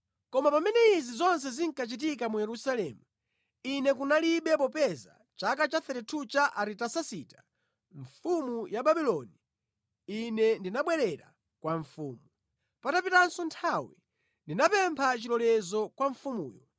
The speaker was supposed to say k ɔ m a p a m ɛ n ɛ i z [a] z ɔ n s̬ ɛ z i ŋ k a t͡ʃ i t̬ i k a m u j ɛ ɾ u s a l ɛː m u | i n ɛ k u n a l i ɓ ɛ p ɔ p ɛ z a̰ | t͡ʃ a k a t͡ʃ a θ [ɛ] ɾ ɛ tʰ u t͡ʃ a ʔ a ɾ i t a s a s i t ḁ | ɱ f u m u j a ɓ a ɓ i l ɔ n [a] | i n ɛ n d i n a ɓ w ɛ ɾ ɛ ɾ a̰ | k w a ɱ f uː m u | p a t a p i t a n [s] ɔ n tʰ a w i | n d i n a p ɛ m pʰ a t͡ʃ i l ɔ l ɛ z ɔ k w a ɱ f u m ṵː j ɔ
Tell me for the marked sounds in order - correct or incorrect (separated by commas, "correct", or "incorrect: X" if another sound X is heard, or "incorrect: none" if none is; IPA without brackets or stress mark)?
incorrect: i, correct, incorrect: i, correct